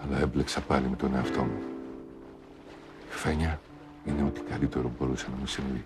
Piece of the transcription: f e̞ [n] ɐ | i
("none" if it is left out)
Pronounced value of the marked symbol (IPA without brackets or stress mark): ɲ